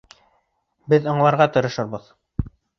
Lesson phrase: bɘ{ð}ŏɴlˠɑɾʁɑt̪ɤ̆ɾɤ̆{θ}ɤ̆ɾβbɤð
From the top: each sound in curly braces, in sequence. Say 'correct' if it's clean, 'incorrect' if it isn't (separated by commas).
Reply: correct, incorrect